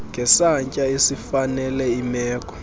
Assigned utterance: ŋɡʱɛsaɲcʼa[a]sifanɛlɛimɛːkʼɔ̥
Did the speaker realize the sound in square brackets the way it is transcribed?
no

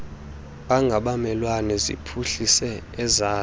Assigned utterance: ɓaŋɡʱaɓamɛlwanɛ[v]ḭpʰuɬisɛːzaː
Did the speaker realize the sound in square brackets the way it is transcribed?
no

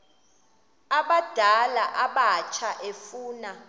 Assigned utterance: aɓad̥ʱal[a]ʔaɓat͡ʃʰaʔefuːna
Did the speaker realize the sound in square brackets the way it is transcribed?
yes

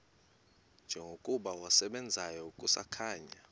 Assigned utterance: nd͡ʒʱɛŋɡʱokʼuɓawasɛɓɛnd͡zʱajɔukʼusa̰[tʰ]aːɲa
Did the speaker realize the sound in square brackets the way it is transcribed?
no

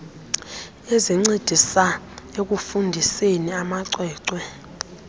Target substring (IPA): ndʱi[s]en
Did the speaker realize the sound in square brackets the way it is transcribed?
yes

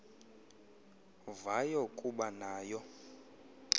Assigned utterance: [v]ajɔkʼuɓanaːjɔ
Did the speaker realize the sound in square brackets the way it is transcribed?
yes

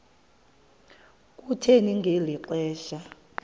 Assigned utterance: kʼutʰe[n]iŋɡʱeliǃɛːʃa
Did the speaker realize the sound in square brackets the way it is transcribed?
yes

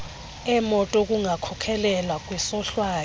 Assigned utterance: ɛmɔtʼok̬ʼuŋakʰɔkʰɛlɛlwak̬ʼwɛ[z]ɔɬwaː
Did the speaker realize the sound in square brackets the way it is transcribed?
no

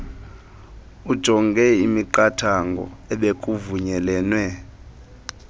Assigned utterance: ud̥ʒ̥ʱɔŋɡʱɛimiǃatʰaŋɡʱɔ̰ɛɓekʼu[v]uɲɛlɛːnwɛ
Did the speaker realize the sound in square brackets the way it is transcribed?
yes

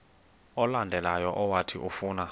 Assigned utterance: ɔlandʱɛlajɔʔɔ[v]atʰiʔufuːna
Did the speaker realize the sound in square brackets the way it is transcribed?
no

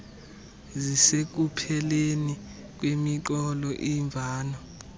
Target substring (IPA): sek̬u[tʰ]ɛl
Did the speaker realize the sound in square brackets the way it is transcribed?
no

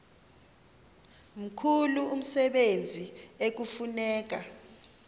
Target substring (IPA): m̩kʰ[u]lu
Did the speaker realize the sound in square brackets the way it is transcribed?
yes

